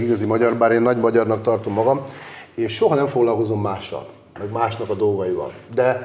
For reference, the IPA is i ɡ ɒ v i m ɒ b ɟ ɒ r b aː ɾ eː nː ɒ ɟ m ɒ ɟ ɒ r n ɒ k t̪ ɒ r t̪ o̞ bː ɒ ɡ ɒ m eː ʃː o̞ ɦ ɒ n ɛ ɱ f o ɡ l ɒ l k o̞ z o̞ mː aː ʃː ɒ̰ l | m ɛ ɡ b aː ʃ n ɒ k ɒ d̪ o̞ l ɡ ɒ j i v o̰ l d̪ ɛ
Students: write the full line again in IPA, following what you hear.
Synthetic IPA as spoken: i ɡ ɒ z i m ɒ ɟ ɒ r b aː ɾ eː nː ɒ ɟ m ɒ ɟ ɒ r n ɒ k t̪ ɒ r t̪ o̞ mː ɒ ɡ ɒ m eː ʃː o̞ ɦ ɒ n ɛ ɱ f o ɡ l ɒ l k o̞ z o̞ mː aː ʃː ɒ̰ l | m ɛ ɡ m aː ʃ n ɒ k ɒ d̪ o̞ l ɡ ɒ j i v ɒ̰ l d̪ ɛ